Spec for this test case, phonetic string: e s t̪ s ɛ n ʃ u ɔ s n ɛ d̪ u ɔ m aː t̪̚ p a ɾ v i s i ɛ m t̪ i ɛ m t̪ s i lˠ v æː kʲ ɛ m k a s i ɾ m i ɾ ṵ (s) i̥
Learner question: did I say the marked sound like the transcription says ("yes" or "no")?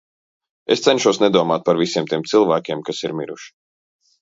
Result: no